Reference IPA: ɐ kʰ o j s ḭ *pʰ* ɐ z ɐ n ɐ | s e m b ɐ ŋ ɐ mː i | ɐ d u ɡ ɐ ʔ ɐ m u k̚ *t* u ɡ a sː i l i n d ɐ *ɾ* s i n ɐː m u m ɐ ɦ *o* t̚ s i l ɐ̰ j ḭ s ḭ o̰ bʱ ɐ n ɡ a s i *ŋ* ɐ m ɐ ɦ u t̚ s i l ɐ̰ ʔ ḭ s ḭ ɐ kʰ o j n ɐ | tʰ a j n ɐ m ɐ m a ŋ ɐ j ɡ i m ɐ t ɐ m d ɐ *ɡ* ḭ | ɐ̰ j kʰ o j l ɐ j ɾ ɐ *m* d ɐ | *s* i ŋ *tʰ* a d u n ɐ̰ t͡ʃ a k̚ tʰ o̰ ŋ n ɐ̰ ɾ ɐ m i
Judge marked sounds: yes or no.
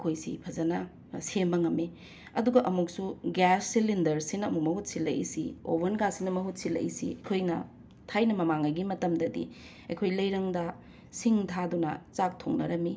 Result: yes, no, yes, no, no, no, no, yes, yes

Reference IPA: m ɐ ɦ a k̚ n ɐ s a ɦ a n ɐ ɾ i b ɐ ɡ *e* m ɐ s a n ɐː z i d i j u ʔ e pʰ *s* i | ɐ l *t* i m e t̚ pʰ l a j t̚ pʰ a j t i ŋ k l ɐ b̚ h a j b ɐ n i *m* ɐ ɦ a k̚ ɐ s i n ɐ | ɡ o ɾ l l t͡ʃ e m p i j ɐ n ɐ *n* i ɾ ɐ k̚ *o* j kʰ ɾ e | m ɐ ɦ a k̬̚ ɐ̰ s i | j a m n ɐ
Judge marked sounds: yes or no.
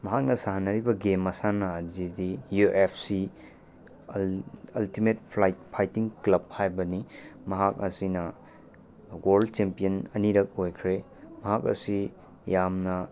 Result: yes, yes, yes, yes, yes, yes

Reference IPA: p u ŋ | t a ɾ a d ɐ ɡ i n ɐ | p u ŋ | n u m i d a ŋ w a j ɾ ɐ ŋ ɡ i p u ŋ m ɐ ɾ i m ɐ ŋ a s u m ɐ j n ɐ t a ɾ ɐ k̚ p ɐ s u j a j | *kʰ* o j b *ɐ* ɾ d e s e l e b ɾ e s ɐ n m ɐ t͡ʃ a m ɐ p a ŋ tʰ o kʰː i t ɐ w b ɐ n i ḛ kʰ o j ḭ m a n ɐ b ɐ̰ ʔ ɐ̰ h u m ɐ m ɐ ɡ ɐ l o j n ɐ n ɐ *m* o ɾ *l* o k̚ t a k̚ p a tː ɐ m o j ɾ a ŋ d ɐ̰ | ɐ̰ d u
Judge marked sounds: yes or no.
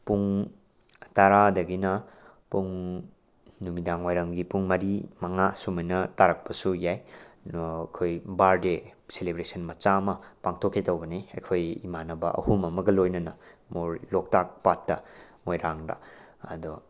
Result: yes, no, yes, yes

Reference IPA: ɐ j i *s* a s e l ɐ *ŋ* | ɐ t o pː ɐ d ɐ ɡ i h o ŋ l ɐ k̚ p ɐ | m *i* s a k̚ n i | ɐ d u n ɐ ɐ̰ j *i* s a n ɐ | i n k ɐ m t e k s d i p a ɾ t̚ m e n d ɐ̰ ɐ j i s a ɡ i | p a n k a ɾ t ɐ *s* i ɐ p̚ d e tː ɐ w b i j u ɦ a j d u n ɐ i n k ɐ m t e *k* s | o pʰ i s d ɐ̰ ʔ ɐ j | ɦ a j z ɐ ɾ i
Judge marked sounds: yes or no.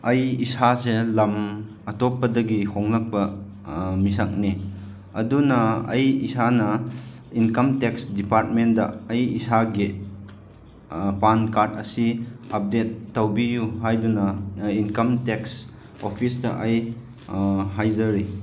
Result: yes, no, yes, yes, yes, yes

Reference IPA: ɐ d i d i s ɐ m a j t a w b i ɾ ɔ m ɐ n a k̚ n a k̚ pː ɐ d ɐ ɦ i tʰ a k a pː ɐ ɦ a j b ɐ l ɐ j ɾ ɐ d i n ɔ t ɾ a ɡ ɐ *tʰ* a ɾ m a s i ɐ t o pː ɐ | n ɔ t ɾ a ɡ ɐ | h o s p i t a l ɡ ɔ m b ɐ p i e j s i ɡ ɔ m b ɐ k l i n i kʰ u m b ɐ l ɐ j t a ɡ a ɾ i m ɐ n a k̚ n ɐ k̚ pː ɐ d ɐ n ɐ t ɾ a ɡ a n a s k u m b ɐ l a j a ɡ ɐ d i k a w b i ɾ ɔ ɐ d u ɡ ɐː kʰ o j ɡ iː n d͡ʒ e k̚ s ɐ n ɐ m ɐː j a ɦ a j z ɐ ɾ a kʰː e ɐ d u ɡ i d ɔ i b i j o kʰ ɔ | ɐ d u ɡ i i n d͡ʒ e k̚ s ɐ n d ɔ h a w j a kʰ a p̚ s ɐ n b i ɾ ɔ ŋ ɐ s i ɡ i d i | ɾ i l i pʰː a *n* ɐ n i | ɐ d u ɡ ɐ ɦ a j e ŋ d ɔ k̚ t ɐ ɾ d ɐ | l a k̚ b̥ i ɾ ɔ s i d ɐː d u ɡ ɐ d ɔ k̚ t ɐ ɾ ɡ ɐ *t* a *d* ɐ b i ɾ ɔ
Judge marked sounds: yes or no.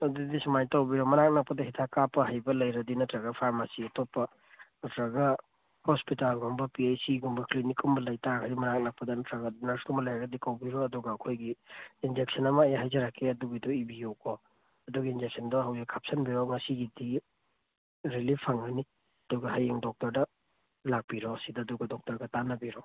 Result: no, no, yes, no

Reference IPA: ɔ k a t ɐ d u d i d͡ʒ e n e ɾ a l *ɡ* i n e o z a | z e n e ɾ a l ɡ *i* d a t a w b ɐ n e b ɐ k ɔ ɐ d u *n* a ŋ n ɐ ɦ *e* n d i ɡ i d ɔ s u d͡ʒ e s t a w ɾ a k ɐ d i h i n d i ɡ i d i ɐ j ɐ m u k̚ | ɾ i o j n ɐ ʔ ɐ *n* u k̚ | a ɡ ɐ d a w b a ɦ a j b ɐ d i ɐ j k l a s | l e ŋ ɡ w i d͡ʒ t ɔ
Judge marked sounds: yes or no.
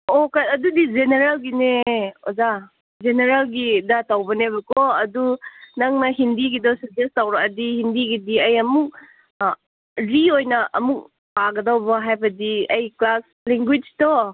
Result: yes, yes, yes, no, no

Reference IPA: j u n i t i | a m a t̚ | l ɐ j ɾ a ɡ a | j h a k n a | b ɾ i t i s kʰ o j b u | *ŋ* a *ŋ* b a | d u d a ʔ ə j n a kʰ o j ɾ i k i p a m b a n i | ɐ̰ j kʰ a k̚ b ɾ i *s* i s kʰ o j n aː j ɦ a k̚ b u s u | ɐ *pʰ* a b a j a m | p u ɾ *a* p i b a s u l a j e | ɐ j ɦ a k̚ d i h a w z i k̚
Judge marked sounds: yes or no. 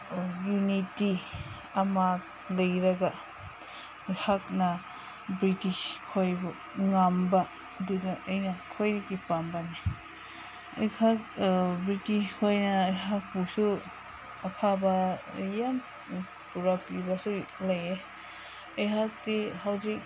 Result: yes, no, no, yes, yes

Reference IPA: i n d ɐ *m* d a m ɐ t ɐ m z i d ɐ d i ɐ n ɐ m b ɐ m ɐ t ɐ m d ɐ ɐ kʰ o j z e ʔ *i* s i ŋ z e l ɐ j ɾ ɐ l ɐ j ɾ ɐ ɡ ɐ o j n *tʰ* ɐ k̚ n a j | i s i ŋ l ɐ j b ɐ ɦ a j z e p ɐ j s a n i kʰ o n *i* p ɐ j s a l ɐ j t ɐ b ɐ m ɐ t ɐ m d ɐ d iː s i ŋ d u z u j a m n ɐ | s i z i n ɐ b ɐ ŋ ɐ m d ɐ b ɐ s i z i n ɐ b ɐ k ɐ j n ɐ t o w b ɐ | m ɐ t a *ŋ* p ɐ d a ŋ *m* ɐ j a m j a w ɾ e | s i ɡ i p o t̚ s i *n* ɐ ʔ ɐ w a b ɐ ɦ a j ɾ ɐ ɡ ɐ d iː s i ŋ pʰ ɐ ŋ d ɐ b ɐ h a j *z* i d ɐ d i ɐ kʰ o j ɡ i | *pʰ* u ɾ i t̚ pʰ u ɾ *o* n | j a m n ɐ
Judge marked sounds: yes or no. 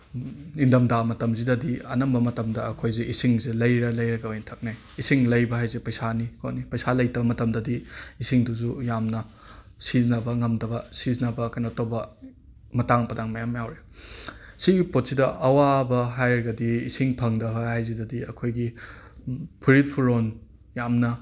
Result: yes, yes, yes, yes, yes, yes, no, yes, yes, yes

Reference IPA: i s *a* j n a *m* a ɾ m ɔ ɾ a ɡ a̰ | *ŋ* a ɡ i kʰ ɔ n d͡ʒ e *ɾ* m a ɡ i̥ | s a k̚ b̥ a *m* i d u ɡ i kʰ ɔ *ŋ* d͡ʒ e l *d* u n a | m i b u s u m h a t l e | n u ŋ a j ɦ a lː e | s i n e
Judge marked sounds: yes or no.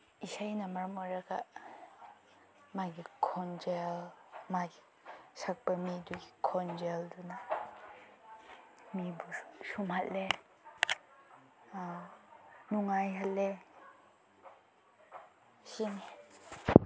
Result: yes, yes, no, no, yes, no, yes

